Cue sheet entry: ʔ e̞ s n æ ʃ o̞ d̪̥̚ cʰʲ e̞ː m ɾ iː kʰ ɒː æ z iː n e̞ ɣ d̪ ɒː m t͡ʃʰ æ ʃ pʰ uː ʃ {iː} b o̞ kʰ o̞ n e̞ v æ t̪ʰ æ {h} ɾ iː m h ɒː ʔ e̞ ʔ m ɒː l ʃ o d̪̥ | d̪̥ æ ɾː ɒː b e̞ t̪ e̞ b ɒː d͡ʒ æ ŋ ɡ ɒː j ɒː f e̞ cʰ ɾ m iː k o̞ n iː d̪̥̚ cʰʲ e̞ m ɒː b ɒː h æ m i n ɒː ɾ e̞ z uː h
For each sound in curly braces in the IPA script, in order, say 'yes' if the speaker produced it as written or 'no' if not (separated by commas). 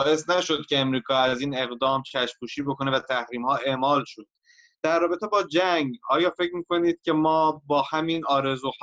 yes, yes